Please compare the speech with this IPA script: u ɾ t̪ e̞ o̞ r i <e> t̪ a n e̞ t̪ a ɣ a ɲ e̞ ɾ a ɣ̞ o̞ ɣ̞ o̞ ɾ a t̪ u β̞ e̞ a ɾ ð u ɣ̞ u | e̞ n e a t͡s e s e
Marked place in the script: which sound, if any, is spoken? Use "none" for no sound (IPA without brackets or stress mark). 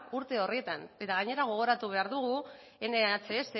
e